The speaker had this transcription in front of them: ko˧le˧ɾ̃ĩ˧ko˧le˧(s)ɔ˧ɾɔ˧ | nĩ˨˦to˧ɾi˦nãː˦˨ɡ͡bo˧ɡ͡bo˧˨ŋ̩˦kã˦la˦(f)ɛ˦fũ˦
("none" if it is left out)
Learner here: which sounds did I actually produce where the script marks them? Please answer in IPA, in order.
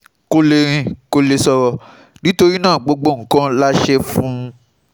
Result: s, ʃ

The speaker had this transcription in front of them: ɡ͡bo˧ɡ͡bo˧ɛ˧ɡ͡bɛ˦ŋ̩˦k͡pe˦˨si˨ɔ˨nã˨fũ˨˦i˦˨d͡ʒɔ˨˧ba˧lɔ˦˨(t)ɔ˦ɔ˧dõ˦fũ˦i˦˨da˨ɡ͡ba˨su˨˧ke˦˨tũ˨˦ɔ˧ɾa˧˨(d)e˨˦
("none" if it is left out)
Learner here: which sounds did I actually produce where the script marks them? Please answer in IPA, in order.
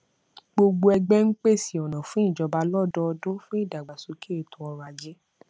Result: d, d͡ʒ

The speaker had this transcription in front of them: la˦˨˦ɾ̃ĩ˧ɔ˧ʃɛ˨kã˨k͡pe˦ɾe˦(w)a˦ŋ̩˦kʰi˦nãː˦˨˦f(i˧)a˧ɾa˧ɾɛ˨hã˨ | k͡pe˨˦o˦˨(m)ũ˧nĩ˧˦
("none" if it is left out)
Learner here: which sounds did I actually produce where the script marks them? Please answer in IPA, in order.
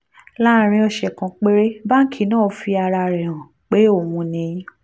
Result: b, i˧, m

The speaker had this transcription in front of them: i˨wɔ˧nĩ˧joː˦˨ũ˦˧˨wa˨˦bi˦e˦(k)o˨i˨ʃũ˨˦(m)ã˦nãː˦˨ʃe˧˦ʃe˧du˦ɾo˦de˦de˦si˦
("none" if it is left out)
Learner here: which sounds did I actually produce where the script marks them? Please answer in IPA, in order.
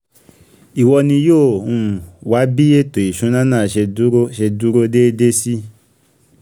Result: t, n

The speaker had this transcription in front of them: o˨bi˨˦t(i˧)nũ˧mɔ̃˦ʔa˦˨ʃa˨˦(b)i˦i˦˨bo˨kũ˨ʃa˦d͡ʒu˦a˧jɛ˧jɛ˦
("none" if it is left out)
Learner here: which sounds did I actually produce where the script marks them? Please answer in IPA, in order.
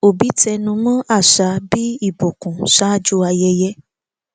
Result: ɛ˧, b

